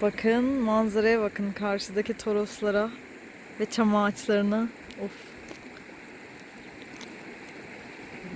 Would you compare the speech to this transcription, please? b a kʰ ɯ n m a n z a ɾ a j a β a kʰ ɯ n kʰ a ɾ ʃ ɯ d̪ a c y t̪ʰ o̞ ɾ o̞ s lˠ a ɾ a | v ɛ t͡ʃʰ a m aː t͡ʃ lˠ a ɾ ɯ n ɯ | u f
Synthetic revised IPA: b a kʰ ɯ n m a n z a ɾ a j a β a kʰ ɯ n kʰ a ɾ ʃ ɯ d̪ a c i t̪ʰ o̞ ɾ o̞ s lˠ a ɾ a | v ɛ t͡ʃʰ a m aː t͡ʃ lˠ a ɾ ɯ n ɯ | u f